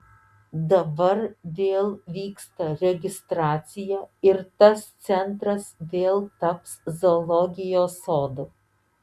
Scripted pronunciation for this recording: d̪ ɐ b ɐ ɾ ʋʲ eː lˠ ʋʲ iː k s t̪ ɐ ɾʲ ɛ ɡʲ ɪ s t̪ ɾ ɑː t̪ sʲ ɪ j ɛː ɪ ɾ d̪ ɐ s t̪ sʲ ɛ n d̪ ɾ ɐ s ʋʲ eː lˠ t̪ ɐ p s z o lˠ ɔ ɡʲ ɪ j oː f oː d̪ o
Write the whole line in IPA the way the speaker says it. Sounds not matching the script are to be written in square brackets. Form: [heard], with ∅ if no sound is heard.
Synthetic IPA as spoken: d̪ ɐ b ɐ ɾ ʋʲ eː lˠ ʋʲ iː k s t̪ ɐ ɾʲ ɛ ɡʲ ɪ s t̪ ɾ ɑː t̪ sʲ ɪ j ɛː ɪ ɾ [t̪] ɐ s t̪ sʲ ɛ n [t̪] ɾ ɐ s ʋʲ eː lˠ t̪ ɐ p s z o lˠ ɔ ɡʲ ɪ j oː [s] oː d̪ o